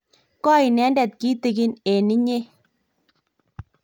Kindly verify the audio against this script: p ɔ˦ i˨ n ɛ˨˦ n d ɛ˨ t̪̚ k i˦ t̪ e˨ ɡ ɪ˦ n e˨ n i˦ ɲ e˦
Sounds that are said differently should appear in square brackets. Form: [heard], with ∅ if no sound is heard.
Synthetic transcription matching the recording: [k] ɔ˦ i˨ n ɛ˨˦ n d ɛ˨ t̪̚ k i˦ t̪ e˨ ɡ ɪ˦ n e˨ n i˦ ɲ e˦